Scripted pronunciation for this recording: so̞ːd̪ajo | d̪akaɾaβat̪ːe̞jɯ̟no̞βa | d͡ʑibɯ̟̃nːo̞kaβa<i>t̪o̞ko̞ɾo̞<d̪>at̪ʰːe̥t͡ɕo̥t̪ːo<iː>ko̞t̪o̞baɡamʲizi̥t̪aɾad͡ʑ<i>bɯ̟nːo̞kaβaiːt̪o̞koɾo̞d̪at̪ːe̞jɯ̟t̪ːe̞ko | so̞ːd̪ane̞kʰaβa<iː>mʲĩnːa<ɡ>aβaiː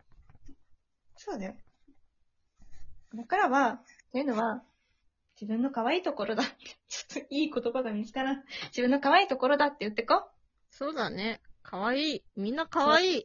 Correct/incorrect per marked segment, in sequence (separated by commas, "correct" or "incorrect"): incorrect, correct, correct, correct, correct, incorrect